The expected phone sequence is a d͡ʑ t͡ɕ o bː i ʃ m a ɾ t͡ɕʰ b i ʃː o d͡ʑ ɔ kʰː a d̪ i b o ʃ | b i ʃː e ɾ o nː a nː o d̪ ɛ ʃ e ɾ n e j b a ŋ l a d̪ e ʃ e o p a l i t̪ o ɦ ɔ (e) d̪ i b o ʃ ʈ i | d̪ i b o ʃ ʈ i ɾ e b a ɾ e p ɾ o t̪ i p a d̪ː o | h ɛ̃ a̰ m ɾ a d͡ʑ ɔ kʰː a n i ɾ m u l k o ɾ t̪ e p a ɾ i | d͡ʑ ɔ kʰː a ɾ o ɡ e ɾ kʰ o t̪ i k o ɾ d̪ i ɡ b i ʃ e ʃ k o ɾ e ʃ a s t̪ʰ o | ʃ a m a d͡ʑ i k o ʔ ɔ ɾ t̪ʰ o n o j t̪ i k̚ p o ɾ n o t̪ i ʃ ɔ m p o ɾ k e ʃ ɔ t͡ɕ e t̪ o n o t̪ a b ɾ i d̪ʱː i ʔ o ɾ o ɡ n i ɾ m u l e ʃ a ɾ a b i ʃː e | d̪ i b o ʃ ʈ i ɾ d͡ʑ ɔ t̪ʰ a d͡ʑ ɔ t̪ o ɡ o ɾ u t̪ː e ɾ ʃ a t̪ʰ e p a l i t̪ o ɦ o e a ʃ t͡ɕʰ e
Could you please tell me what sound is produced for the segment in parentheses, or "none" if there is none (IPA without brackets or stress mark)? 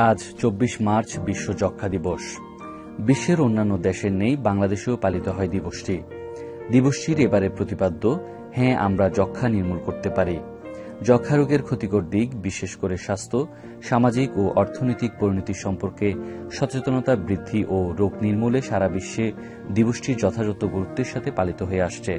e